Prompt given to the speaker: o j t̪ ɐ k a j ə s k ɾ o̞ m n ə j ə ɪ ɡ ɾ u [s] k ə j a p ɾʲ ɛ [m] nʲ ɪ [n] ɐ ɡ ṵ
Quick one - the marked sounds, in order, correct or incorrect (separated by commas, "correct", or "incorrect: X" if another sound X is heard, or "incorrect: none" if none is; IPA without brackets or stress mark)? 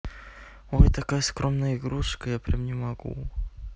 incorrect: ʂ, correct, incorrect: m